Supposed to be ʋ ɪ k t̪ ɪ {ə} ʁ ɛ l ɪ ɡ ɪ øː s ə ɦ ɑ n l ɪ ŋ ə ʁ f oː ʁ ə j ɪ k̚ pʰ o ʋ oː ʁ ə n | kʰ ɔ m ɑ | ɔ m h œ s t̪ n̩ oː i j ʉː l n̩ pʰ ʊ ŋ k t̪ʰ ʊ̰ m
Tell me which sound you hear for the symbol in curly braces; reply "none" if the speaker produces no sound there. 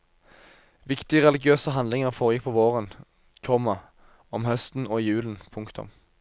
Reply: ə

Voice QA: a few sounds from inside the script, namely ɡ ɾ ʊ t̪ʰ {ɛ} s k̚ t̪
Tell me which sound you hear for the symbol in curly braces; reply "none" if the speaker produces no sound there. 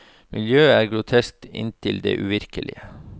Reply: ɛ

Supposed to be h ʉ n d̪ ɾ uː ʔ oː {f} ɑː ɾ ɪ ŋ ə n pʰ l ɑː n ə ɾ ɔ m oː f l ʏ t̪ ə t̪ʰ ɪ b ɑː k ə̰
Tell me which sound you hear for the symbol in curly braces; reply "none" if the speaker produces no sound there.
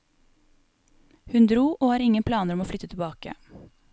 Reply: h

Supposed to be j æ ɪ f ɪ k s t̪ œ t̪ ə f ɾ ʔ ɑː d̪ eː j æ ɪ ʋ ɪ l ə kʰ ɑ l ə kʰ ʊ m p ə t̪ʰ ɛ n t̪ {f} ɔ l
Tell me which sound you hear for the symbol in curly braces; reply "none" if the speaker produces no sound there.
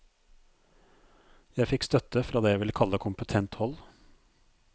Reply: h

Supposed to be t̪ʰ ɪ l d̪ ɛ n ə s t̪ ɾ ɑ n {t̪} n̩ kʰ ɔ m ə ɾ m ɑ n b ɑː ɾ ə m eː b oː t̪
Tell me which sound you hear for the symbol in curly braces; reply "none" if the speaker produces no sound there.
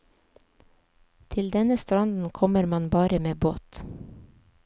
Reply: d̪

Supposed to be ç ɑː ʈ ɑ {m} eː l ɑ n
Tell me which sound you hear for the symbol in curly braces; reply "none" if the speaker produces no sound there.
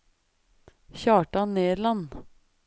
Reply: n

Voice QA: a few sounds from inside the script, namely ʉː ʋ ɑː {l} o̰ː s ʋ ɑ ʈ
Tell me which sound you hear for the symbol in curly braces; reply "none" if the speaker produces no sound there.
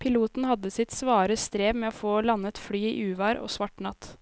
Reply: ɾ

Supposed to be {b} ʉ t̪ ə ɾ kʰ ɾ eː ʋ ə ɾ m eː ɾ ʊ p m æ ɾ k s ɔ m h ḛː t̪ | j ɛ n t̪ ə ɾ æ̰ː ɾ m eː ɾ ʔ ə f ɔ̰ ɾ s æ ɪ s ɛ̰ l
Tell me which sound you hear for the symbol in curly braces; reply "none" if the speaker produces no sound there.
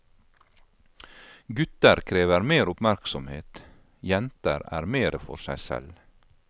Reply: ɡ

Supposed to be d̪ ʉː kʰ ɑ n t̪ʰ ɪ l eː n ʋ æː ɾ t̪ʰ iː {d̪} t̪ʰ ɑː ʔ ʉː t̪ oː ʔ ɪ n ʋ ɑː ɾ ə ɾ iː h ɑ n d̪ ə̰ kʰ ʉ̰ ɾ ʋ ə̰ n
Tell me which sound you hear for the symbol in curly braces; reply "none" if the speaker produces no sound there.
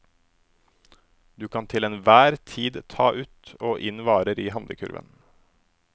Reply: d̪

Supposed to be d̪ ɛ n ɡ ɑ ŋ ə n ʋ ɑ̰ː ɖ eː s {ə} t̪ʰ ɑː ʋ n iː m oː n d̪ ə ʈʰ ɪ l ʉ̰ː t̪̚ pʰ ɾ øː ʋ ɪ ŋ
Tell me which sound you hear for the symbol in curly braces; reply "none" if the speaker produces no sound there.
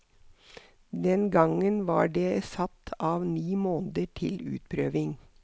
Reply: ɑ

